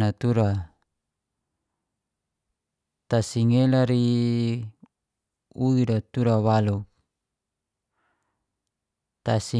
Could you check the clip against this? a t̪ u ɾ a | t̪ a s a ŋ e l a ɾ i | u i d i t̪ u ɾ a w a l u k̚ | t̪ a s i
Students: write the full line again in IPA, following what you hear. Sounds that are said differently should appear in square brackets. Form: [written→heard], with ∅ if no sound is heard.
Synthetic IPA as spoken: a t̪ u ɾ a | t̪ a s [a→i] ŋ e l a ɾ i | u i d [i→a] t̪ u ɾ a w a l u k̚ | t̪ a s i